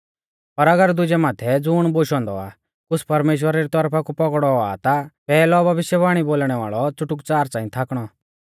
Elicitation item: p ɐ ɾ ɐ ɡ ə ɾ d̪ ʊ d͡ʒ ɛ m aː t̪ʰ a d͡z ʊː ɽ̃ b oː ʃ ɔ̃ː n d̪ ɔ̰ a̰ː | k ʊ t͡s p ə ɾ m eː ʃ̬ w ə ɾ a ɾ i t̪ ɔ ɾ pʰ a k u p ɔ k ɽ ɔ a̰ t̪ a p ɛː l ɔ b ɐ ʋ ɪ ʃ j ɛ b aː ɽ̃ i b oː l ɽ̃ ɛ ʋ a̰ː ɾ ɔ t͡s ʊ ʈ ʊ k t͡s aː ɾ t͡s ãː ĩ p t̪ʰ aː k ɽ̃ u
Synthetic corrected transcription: p ɐ ɾ ɐ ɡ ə ɾ d̪ ʊ d͡ʒ ɛ m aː t̪ʰ ɛ d͡z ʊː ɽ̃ b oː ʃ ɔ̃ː n d̪ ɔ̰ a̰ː | k ʊ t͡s p ɐ ɾ m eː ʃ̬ w ə ɾ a ɾ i t̪ ɔ ɾ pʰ a k u p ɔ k ɽ ɔ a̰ t̪ a p ɛː l ɔ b ɐ ʋ ɪ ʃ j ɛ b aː ɽ̃ i b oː l ɽ̃ ɛ ʋ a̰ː ɭ ɔ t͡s ʊ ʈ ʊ k t͡s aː ɾ t͡s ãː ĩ t̪ʰ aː k ɽ̃ ɔ